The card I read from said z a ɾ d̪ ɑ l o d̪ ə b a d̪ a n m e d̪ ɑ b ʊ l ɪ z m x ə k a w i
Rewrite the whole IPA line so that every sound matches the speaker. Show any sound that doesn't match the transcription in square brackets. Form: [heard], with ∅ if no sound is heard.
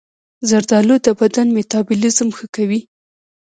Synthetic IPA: z a ɾ d̪ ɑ l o d̪ ə b a d̪ a n m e [t̪] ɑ b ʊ l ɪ z m x ə k a w i